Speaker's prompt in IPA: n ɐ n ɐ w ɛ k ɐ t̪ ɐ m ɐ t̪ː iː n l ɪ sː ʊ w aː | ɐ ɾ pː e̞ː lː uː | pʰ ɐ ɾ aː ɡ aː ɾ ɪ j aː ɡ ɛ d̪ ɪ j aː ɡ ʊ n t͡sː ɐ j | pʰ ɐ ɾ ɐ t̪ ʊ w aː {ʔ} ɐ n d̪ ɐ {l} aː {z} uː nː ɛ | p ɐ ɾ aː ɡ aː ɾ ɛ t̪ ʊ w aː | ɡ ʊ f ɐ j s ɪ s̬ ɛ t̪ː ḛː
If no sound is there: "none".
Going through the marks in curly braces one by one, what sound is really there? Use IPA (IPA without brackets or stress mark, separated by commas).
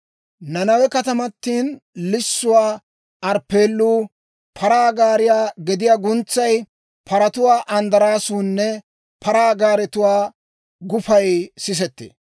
ʔ, ɾ, s